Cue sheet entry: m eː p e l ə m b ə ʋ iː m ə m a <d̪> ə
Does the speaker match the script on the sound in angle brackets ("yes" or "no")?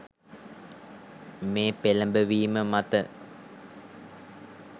no